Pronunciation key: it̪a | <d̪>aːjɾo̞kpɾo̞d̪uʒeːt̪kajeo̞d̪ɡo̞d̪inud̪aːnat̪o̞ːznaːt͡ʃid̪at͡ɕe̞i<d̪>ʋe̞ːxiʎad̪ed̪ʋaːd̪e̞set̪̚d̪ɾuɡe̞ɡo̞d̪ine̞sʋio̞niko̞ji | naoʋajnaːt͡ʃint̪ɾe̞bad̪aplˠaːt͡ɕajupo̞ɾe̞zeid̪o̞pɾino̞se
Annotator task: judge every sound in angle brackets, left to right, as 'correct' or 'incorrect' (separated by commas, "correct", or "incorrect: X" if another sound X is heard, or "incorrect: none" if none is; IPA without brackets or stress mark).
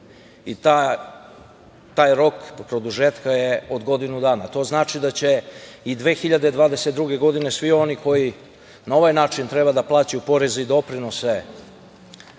incorrect: t̪, correct